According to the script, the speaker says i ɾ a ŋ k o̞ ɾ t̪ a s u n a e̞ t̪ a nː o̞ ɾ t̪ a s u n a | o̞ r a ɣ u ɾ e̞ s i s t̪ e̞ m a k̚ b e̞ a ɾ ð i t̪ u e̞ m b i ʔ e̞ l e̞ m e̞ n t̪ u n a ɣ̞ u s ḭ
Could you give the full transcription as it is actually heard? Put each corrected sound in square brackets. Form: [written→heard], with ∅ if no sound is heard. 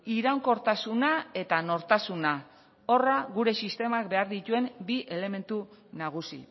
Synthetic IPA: i ɾ a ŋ k o̞ ɾ t̪ a s u n a e̞ t̪ a [nː→n] o̞ ɾ t̪ a s u n a | o̞ r a ɣ u ɾ e̞ s i s t̪ e̞ m a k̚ b e̞ a ɾ ð i t̪ u e̞ m b i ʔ e̞ l e̞ m e̞ n t̪ u n a ɣ̞ u s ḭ